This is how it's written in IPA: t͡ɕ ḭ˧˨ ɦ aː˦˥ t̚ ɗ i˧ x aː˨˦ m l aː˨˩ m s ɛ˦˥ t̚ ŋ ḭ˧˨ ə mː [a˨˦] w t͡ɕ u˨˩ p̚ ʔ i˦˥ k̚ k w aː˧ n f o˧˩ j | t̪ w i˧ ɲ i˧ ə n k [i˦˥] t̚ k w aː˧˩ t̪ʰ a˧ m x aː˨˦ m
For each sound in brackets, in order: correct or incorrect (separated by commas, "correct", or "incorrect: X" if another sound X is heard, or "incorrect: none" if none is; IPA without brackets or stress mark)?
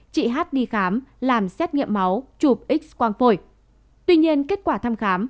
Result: correct, incorrect: e˦˥